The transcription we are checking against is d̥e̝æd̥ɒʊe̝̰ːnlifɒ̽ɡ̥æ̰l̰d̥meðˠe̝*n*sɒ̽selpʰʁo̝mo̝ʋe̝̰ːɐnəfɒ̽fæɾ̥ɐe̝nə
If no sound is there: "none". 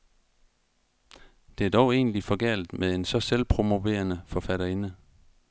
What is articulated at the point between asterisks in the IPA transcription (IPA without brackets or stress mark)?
n